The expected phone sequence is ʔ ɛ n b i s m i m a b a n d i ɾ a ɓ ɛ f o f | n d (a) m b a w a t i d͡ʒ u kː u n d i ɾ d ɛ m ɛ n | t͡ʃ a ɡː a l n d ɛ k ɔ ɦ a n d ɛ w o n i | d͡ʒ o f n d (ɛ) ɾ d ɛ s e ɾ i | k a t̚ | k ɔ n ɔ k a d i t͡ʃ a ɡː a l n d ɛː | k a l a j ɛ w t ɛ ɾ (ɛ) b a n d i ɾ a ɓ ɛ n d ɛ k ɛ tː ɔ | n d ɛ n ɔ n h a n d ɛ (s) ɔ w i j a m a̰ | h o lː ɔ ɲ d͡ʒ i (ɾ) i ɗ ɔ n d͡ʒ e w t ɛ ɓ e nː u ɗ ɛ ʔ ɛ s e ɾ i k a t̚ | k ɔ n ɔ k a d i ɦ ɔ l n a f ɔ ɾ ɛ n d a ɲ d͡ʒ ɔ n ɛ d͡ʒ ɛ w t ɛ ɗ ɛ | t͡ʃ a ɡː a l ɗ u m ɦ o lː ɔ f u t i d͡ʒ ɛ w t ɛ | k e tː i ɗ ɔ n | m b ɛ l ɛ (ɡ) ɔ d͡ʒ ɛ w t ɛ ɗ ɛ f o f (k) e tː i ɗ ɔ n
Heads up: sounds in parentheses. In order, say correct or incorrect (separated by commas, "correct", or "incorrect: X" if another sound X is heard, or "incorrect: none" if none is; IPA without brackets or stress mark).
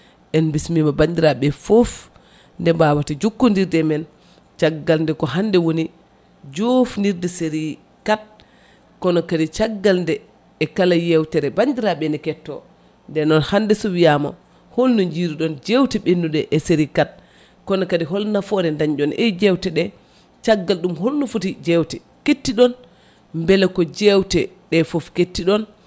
incorrect: ɛ, incorrect: i, correct, correct, correct, incorrect: k, correct